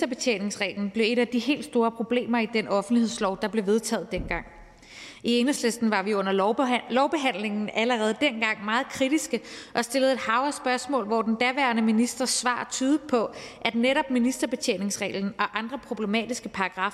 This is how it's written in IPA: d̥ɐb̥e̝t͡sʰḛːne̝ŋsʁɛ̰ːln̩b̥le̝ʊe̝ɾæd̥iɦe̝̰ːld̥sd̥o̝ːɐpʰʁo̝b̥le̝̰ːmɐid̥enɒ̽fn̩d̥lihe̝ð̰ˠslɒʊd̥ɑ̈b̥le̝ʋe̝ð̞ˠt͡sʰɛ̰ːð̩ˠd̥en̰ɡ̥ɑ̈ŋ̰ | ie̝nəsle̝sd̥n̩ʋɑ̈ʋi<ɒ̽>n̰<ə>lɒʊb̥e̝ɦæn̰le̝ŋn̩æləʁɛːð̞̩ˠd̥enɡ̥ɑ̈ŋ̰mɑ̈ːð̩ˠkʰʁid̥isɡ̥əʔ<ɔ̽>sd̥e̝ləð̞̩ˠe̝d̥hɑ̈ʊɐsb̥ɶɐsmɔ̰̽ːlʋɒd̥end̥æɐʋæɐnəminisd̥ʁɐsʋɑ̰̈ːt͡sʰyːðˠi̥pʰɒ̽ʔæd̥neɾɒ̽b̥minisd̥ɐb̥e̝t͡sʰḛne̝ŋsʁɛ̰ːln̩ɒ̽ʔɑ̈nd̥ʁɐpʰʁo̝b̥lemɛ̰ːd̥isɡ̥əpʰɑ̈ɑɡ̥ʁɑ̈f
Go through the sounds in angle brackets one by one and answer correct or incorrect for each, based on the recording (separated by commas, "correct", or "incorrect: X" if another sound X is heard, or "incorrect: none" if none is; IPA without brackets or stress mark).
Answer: incorrect: ɔ̽, incorrect: ɐ, incorrect: ɒ̽